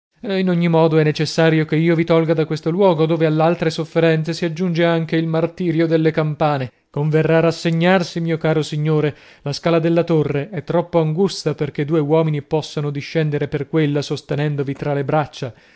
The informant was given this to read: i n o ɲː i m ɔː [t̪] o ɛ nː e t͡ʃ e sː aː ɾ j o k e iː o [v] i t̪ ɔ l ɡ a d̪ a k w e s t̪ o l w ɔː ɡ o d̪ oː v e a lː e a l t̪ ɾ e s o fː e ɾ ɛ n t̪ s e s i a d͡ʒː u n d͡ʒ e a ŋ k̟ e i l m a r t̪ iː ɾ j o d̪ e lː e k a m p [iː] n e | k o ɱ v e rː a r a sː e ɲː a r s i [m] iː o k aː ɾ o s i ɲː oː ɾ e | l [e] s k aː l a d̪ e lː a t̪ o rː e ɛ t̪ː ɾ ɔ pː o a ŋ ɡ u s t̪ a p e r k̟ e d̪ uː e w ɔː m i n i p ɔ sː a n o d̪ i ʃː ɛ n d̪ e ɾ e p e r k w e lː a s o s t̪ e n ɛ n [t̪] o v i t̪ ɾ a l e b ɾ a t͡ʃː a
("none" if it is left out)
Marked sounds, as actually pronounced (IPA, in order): d̪, v, aː, m, a, d̪

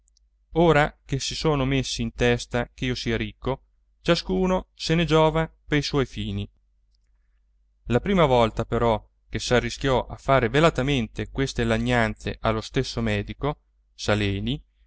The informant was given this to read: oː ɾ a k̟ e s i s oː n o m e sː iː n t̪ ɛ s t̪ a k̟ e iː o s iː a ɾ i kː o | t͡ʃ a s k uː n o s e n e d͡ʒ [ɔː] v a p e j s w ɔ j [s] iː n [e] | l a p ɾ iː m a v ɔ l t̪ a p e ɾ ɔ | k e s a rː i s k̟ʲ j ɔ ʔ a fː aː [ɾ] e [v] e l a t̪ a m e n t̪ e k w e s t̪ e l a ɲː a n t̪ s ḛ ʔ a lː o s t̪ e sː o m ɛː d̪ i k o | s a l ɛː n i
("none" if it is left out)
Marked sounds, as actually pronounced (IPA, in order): ɔː, f, i, ɾ, v

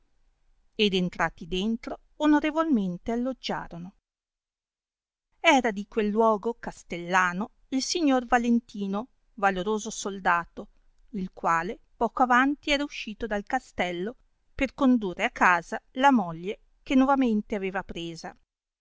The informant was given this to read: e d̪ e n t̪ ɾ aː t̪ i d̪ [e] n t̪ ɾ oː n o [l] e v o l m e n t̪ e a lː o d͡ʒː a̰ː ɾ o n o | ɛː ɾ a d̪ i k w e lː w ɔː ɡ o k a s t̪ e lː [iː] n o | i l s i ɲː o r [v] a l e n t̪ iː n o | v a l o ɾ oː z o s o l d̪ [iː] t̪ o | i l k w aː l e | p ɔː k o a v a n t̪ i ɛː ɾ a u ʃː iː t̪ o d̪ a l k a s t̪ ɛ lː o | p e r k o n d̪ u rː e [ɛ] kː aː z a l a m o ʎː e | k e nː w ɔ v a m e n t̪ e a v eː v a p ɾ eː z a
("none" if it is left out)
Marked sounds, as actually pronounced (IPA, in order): e, ɾ, aː, v, aː, a

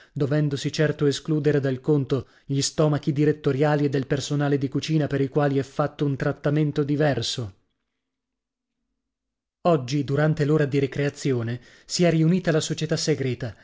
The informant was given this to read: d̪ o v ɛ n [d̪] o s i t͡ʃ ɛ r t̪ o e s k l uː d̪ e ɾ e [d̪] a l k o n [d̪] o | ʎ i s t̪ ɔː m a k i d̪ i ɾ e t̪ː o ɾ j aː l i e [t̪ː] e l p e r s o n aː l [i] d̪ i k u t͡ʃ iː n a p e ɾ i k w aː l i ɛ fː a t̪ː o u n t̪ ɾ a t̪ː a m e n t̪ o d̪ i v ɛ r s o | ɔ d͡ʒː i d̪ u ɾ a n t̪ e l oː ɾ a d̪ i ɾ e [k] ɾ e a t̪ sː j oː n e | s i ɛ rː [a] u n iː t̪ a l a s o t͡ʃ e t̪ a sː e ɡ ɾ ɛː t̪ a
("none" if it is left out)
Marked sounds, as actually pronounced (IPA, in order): d̪, d̪, t̪, d̪ː, e, k, i

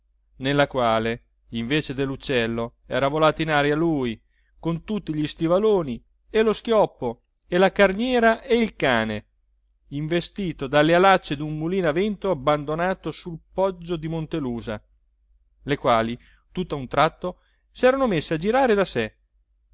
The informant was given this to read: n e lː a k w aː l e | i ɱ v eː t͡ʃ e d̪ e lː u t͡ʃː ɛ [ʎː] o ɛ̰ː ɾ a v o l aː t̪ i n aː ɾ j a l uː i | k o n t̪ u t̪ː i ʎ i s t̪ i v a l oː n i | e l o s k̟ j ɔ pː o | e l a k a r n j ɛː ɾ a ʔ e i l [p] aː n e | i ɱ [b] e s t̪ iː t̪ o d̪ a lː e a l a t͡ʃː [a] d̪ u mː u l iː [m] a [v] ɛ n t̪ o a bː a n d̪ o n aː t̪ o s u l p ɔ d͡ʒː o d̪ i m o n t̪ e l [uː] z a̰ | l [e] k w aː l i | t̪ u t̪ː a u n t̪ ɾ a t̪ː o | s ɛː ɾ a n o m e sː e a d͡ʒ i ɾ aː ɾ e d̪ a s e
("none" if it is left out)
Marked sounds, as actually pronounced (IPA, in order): lː, k, v, e, n, v, uː, e

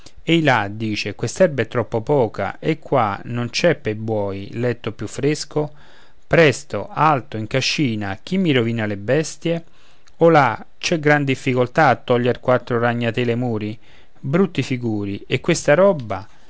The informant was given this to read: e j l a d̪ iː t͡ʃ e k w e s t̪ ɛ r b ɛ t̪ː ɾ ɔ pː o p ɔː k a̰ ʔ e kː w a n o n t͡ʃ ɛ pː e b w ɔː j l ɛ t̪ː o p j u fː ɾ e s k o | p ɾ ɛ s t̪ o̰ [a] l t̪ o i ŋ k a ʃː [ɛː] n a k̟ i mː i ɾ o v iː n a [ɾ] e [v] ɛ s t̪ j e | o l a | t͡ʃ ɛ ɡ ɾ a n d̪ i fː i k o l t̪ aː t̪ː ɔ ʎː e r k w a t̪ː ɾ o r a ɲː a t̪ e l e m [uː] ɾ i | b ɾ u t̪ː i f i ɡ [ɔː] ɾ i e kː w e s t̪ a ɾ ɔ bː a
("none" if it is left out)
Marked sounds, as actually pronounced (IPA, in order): a, iː, l, b, uː, uː

